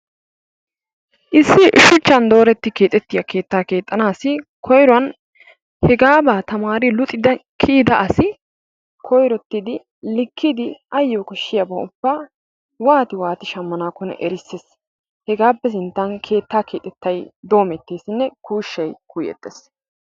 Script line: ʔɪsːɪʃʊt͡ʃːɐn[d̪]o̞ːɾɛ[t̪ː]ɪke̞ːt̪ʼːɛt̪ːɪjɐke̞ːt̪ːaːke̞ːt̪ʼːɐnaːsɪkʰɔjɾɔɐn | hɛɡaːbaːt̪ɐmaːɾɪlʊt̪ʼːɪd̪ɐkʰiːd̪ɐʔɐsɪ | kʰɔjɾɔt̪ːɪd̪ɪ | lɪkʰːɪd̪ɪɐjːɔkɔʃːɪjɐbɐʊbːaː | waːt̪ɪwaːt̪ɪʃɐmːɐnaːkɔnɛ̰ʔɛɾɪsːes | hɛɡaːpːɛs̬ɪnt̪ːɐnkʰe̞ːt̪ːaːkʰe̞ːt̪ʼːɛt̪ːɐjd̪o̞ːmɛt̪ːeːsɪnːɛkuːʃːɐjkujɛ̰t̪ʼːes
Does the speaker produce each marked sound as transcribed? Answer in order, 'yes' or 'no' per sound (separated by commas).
yes, yes